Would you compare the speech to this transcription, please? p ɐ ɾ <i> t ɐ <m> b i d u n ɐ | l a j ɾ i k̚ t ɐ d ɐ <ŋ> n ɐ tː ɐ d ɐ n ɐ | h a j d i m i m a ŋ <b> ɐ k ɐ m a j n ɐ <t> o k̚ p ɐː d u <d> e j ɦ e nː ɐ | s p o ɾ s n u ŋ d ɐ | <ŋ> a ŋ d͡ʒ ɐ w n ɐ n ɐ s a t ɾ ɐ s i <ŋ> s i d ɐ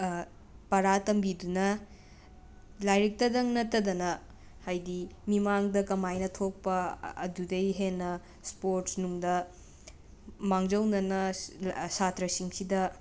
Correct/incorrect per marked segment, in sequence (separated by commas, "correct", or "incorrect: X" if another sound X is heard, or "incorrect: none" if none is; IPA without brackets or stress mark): incorrect: a, correct, correct, incorrect: d, incorrect: tʰ, correct, incorrect: m, correct